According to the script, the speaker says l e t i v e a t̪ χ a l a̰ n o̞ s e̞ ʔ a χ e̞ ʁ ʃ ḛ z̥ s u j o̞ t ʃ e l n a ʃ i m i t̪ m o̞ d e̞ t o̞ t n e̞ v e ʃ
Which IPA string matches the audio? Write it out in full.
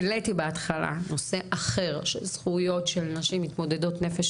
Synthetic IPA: l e t i b e a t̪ χ a l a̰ n o̞ s e̞ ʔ a χ e̞ ʁ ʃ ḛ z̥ χ u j o̞ t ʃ e l n a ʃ i m i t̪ m o̞ d e̞ d o̞ t n e̞ f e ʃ

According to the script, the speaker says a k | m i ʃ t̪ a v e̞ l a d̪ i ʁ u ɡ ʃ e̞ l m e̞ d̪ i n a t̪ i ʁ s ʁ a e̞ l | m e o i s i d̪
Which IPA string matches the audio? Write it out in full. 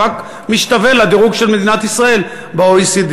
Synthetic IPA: a k | m i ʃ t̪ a v e̞ l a d̪ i ʁ u ɡ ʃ e̞ l m e̞ d̪ i n a t̪ i s ʁ a e̞ l | b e o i s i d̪

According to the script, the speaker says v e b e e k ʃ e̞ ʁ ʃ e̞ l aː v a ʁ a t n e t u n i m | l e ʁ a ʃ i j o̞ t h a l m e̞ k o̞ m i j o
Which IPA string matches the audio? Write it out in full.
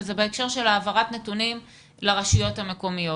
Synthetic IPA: z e b e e k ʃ e̞ ʁ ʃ e̞ l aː v a ʁ a t n e t u n i m | l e ʁ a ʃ i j o̞ t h a m e̞ k o̞ m i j o

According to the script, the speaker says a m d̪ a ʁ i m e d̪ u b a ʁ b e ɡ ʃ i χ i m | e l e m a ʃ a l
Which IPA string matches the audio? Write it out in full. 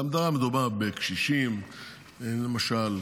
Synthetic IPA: a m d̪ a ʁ a m e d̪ u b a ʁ b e k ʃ i ʃ i m | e l e m a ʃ a l

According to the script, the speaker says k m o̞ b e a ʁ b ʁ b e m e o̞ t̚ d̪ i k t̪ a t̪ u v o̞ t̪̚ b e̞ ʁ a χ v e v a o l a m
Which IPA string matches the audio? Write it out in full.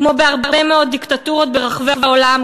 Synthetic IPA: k m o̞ b e a ʁ b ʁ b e m e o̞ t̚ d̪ i k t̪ a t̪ u ʁ o̞ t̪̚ b e̞ ʁ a χ v e v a o l a m

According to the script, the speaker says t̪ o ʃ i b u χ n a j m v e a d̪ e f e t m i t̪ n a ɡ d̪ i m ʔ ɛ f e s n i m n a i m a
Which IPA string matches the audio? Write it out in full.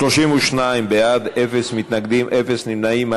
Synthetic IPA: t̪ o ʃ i m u ʃ n a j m b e a d̪ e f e s m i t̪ n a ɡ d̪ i m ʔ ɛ f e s n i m n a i m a

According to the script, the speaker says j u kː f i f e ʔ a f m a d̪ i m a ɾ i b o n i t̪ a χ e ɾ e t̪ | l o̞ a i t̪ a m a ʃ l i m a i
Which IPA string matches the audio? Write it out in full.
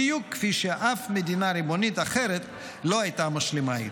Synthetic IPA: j u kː f i ʃ e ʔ a f m e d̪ i n a ɾ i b o n i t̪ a χ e ɾ e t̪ | l o̞ a j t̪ a m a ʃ l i m a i

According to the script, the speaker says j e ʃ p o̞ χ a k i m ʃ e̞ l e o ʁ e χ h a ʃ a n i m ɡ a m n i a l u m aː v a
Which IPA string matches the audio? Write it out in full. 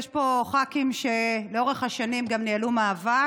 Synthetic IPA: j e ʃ p o̞ χ a k i m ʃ e̞ l e o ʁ e χ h a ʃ a n i m ɡ a m n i a l u m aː v a

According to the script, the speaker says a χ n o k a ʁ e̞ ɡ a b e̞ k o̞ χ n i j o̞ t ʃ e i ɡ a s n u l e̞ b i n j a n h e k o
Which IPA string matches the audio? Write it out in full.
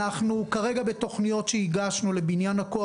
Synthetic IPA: a χ n u k a ʁ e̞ ɡ a b e̞ t o̞ χ n i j o̞ t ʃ e i ɡ a ʃ n u l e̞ b i n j a n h a k o

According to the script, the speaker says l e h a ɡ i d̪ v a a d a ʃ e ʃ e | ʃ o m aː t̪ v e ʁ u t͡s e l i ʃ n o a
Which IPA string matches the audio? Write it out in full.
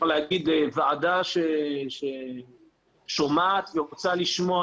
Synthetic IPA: l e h a ɡ i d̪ v a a d a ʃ e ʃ e | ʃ o m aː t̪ v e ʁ o t͡s a l i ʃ m o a

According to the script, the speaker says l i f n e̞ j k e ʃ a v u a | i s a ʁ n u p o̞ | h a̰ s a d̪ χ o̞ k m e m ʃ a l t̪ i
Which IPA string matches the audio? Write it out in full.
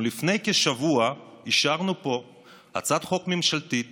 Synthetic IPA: l i f n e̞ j k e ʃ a v u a | i ʃ a ʁ n u p o̞ | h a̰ t͡s a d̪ χ o̞ k m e m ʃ a l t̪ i

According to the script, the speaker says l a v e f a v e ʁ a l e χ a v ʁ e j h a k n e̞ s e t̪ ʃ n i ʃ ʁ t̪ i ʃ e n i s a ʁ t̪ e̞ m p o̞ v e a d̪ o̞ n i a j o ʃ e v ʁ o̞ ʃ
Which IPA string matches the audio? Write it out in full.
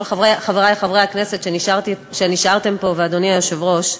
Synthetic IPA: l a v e χ a v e ʁ a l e χ a v ʁ e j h a k n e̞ s e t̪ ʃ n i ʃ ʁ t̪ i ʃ e n i ʃ a ʁ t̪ e̞ m p o̞ v e a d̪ o̞ n i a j o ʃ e v ʁ o̞ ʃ

